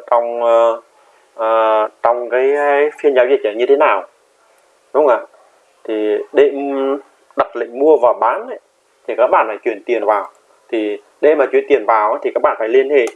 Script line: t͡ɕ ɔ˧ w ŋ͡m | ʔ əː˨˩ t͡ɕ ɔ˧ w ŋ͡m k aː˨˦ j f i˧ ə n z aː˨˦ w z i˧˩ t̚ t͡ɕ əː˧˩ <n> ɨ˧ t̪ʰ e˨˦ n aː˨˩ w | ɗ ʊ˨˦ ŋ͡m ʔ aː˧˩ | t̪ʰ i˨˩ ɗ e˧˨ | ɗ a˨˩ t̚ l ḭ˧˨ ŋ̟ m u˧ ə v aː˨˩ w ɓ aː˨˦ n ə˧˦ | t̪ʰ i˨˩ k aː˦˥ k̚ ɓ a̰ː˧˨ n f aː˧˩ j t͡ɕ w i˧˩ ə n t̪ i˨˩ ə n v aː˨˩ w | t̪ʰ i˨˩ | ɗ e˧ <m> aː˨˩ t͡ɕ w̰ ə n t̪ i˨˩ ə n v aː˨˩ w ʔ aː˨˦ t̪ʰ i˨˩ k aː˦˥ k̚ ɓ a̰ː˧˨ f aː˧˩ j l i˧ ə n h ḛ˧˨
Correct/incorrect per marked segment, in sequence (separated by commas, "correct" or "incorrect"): incorrect, correct